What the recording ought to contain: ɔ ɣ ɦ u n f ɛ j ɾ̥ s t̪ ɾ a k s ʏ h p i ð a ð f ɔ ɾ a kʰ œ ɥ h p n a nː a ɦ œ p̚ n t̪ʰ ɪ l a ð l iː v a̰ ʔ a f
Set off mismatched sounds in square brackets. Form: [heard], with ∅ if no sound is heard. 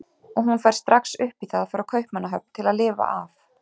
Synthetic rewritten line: ɔ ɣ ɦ u n f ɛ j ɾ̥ s t̪ ɾ a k s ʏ h p i [θ] a ð f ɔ ɾ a kʰ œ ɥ h p [m] a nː a ɦ œ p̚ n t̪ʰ ɪ l a ð l [ɪː] v a̰ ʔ a f